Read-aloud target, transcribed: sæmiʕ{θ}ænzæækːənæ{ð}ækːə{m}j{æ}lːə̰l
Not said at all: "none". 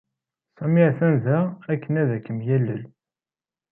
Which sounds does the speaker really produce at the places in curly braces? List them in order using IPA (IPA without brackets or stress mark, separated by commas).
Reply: θ, ð, m, æ